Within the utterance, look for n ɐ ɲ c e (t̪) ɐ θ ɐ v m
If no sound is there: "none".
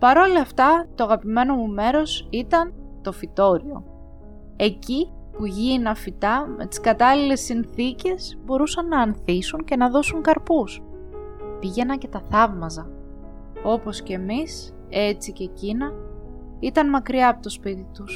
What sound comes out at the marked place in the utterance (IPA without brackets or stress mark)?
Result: t̪